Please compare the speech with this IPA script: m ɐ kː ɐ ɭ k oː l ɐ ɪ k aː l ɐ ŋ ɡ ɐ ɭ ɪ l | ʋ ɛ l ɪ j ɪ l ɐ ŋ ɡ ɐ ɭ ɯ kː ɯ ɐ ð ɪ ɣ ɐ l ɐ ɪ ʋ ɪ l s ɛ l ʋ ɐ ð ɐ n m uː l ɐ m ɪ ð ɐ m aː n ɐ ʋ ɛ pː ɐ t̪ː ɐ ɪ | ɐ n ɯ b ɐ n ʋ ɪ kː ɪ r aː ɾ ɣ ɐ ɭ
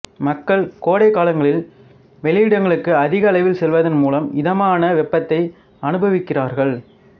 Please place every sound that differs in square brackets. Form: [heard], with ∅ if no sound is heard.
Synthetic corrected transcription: m ɐ kː ɐ ɭ k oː [ɽ] ɐ ɪ k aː l ɐ ŋ ɡ ɐ ɭ ɪ l | ʋ ɛ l ɪ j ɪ [ɽ] ɐ ŋ ɡ ɐ ɭ ɯ kː ɯ ɐ ð ɪ ɣ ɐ l ɐ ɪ ʋ ɪ l s ɛ l ʋ ɐ ð ɐ n m uː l ɐ m ɪ ð ɐ m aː n ɐ ʋ ɛ pː ɐ t̪ː ɐ ɪ | ɐ n ɯ b ɐ [∅] ʋ ɪ kː ɪ r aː ɾ ɣ ɐ ɭ